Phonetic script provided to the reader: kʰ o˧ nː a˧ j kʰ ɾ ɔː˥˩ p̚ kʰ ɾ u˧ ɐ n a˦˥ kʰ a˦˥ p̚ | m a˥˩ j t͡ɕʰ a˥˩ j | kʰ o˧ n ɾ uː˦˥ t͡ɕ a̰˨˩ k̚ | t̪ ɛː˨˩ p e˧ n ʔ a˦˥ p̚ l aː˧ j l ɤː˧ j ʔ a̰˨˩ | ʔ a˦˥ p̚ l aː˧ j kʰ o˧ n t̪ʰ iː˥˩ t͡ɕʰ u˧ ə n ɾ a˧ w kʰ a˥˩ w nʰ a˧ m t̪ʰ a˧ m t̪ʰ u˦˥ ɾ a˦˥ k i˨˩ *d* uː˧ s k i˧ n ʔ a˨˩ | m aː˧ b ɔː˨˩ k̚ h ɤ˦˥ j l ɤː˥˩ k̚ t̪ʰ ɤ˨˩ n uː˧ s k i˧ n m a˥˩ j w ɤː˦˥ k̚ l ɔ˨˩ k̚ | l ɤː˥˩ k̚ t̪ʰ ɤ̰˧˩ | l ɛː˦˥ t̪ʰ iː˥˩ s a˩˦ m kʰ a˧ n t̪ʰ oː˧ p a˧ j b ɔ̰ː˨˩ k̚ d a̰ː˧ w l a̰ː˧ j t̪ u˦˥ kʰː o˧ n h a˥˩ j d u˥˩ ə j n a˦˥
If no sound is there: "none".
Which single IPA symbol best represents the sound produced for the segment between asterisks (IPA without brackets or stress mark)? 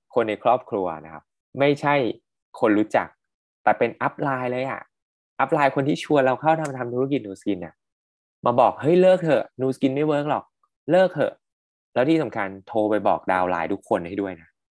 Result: n